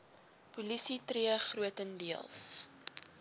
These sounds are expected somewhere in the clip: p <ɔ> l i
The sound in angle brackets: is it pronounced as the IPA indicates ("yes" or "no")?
no